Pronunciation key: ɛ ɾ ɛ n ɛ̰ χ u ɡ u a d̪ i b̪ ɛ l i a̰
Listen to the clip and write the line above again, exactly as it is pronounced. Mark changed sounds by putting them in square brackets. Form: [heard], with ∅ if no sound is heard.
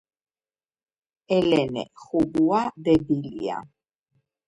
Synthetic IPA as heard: ɛ [l] ɛ n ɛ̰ χ u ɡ u a d̪ [ɛ] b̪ [i] l i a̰